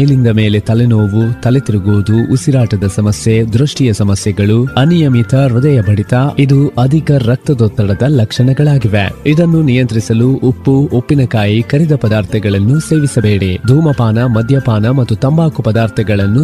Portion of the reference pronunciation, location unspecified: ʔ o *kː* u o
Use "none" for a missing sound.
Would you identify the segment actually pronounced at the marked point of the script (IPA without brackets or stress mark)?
pː